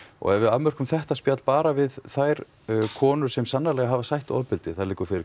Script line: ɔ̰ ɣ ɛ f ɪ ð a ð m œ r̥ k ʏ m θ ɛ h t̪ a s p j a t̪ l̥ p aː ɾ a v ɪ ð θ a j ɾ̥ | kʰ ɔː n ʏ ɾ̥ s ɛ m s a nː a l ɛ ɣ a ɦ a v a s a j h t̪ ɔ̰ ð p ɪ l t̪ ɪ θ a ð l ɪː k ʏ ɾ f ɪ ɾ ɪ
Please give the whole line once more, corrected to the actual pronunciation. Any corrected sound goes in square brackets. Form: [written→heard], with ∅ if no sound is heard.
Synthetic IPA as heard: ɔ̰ ɣ ɛ [f→v] ɪ ð a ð m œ r̥ k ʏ m θ ɛ h t̪ a s p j a t̪ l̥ p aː ɾ a v ɪ ð θ a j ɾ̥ | kʰ ɔː n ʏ ɾ̥ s ɛ m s a nː a l ɛ ɣ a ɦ a v a s a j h t̪ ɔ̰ ð p ɪ l t̪ ɪ θ a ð l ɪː k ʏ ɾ f ɪ ɾ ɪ